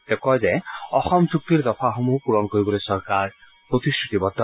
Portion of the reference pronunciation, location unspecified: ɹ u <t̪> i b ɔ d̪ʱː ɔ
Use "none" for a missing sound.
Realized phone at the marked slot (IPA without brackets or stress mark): t̪